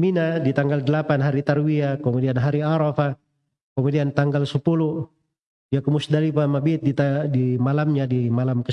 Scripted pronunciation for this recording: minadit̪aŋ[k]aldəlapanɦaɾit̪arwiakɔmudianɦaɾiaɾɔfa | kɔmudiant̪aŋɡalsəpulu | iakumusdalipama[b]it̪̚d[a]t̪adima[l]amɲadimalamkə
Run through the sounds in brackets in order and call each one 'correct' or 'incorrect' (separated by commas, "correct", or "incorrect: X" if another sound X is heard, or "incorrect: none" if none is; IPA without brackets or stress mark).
incorrect: ɡ, correct, incorrect: i, correct